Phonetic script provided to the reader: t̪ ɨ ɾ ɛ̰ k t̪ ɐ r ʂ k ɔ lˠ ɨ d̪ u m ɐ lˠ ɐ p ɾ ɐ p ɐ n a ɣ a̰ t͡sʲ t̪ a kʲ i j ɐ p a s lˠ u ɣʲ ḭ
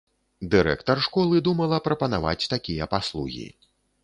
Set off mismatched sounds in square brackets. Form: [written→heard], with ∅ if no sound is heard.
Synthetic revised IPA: [t̪→d̪] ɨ ɾ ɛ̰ k t̪ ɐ r ʂ k ɔ lˠ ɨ d̪ u m ɐ lˠ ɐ p ɾ ɐ p ɐ n a [ɣ→v] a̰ t͡sʲ t̪ a kʲ i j ɐ p a s lˠ u ɣʲ ḭ